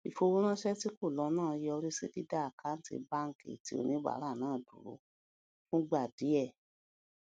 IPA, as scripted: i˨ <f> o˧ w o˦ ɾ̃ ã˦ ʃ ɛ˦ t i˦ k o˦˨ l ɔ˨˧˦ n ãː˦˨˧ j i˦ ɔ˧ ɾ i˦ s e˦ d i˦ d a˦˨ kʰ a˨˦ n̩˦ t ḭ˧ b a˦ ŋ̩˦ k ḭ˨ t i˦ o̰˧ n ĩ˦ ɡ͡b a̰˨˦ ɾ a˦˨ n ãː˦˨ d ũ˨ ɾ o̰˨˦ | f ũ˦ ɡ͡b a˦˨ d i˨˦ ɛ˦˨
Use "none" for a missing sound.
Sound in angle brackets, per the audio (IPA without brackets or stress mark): f